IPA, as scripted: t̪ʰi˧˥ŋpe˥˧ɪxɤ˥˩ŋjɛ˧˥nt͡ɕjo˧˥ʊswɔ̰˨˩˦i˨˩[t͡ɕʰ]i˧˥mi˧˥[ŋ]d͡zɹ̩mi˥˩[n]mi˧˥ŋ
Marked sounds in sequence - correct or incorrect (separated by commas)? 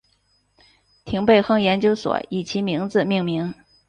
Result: correct, correct, incorrect